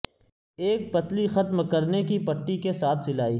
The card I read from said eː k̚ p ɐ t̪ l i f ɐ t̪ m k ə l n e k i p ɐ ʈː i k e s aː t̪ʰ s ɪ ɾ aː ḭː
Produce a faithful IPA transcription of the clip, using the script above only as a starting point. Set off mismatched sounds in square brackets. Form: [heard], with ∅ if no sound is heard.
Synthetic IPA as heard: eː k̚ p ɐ t̪ l i [x] ɐ t̪ m k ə [ɾ] n e k i p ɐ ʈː i k e s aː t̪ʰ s ɪ [l] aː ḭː